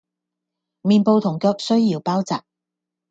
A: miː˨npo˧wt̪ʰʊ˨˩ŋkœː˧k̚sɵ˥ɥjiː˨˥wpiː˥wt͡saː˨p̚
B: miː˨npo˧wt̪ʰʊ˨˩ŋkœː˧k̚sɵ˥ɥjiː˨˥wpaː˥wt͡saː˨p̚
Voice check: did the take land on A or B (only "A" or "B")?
B